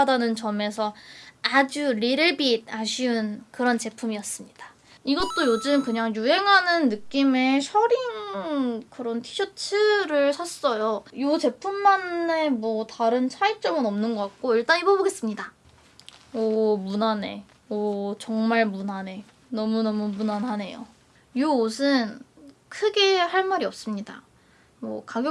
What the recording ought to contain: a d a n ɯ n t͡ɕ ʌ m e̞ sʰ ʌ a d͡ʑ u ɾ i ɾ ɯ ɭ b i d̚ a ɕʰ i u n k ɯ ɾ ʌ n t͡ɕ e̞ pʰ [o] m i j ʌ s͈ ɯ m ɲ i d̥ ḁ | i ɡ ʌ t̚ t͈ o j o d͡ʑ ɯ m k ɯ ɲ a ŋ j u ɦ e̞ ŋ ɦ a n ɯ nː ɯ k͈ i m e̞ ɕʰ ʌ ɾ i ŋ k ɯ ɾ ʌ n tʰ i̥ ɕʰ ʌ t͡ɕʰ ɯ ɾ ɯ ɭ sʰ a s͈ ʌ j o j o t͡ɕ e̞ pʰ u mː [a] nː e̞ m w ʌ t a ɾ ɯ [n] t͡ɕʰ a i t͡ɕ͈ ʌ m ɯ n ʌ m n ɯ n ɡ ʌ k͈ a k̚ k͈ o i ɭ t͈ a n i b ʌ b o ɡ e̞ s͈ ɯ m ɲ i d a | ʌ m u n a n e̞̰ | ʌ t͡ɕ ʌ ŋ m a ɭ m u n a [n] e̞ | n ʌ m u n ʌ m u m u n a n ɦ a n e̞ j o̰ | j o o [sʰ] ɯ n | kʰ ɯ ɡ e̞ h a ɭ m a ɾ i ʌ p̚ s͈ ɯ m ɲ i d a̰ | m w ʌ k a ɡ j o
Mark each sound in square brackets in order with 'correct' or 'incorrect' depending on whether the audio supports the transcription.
incorrect, correct, correct, correct, correct

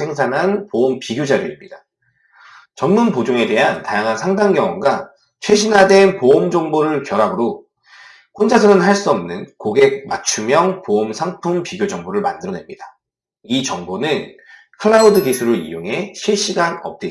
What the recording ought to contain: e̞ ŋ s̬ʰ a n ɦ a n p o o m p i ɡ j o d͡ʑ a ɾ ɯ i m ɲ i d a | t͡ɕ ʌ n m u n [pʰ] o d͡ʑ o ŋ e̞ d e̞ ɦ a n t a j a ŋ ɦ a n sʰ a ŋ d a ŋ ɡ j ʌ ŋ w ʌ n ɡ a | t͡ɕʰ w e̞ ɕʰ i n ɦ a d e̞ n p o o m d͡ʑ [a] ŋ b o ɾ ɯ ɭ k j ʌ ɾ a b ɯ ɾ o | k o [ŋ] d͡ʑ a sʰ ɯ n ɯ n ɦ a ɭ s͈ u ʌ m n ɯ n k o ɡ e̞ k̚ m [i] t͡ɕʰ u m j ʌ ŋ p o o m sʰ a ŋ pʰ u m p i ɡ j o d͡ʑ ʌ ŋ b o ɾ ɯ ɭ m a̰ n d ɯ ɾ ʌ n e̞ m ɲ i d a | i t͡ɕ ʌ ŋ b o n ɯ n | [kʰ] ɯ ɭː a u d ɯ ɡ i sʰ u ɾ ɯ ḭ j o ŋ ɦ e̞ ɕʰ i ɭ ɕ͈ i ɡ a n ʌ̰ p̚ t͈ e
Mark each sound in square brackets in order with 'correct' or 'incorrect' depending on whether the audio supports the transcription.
incorrect, incorrect, incorrect, incorrect, correct

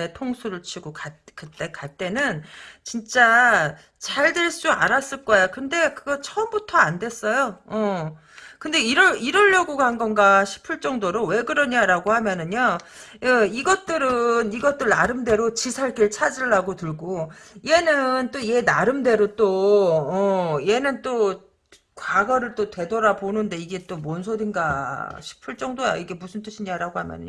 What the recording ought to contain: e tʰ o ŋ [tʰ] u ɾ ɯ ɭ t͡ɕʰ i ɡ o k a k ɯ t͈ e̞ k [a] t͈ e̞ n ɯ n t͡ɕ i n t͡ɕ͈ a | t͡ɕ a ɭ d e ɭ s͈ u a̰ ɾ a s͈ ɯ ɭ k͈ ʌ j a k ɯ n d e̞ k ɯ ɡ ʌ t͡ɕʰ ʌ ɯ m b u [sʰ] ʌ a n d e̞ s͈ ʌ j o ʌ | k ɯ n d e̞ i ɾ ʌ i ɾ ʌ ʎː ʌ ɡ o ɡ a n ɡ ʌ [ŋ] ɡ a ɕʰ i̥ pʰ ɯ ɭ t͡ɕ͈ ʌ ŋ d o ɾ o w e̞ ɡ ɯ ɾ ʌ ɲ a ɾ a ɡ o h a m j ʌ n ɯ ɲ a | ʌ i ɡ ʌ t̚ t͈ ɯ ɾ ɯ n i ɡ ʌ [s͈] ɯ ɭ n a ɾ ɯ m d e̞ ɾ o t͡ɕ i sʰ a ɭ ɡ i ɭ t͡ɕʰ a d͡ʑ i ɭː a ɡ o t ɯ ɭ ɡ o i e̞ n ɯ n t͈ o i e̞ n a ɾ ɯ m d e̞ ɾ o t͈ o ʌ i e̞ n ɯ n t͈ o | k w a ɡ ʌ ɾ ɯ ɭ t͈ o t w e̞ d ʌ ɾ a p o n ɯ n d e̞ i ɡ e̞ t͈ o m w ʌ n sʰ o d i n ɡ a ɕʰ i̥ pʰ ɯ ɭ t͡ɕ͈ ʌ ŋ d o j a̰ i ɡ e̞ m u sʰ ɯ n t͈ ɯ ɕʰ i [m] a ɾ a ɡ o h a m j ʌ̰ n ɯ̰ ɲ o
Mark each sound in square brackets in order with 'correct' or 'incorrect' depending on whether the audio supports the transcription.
incorrect, correct, incorrect, incorrect, incorrect, incorrect

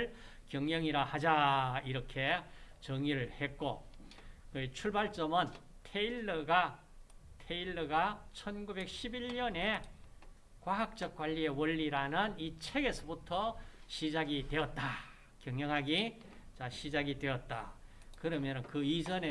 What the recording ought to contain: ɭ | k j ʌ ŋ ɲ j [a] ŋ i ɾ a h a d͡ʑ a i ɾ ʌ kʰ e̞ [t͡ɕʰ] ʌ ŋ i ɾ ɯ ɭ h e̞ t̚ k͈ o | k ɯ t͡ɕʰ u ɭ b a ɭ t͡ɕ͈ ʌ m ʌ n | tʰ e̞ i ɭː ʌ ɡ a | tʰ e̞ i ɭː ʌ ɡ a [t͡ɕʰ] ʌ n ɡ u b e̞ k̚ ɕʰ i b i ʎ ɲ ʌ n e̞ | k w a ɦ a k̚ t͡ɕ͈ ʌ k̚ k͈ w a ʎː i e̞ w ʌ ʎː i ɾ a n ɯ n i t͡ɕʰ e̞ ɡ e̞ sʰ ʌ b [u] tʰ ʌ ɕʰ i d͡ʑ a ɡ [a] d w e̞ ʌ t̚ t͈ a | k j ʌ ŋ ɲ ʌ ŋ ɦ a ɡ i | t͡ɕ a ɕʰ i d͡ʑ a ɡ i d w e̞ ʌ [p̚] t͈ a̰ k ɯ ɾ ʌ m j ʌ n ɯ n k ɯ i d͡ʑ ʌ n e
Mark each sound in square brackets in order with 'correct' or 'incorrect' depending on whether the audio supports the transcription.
incorrect, incorrect, correct, correct, incorrect, incorrect

